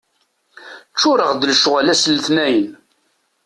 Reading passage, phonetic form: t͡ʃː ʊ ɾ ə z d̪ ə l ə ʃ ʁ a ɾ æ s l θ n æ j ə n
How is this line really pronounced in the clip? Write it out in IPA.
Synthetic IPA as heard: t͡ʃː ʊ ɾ ə ʁ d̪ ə l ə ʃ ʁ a l æ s l θ n æ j ə n